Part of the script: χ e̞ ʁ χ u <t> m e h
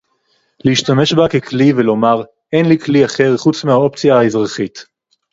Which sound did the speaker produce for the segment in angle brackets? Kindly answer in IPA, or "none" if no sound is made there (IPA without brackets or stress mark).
t͡s